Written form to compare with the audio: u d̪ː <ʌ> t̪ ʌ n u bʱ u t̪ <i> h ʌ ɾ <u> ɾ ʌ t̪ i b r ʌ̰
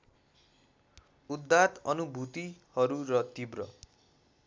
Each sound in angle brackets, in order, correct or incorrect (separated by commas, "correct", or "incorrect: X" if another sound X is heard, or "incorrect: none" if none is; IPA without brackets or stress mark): incorrect: a, correct, correct